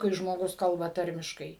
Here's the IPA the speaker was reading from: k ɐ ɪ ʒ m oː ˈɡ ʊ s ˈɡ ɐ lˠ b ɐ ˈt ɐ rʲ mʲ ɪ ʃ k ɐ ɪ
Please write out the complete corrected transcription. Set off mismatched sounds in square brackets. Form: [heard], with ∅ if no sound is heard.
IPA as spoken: k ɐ ɪ ʒ m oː ˈɡ ʊ s [ˈk] ɐ lˠ b ɐ ˈt ɐ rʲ mʲ ɪ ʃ k ɐ ɪ